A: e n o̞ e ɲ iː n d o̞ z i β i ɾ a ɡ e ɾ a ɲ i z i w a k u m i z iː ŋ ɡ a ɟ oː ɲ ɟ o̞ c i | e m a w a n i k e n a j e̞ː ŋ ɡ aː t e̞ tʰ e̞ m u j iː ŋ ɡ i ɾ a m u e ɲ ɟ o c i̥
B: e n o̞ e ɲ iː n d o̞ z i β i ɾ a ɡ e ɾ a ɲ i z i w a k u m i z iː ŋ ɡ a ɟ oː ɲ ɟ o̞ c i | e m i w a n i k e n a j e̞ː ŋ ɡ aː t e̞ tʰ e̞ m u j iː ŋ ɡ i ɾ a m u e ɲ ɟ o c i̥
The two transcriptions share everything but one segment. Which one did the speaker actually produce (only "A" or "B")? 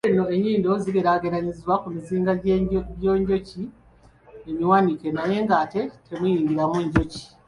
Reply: B